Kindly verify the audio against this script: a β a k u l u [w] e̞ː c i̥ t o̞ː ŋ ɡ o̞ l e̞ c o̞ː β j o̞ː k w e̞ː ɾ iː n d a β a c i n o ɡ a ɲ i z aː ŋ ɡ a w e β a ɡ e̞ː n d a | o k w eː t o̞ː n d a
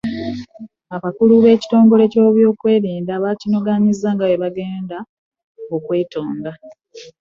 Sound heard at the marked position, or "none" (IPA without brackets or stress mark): β